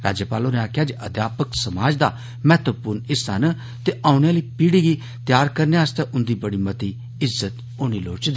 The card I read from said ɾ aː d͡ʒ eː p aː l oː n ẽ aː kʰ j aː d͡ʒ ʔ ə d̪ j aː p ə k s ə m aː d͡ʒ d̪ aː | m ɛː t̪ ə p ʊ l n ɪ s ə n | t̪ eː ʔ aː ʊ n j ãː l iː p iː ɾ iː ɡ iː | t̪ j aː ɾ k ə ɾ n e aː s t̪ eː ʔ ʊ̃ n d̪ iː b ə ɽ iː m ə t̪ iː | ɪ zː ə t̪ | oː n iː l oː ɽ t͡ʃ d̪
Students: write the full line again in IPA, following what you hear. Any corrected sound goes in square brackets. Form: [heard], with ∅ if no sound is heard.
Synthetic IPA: ɾ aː d͡ʒ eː p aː l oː n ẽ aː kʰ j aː d͡ʒ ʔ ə d̪ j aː p ə k s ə m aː d͡ʒ d̪ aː | m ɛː t̪ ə p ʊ [ɾ] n ɪ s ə n | t̪ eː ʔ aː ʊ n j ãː l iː p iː [ɽ] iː ɡ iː | t̪ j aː ɾ k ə ɾ n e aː s t̪ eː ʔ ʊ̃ n d̪ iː b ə ɽ iː m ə t̪ iː | ɪ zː ə t̪ | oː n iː l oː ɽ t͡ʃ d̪